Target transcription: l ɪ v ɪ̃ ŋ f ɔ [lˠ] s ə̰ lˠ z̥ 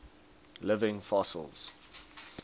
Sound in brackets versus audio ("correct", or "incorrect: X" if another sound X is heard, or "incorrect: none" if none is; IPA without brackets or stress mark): incorrect: none